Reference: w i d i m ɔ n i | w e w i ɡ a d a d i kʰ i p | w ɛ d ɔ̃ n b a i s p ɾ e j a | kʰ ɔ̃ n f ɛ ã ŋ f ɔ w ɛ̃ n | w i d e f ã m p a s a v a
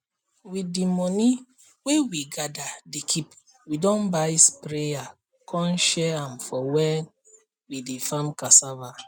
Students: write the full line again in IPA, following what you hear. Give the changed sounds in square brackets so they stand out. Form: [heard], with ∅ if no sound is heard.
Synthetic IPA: w i d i m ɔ n i | w e w i ɡ a d a d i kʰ i p | w [i] d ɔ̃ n b a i s p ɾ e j a | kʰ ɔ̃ n [ʃ] ɛ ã [m] f ɔ w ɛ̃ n | w i d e f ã m [k] a s a v a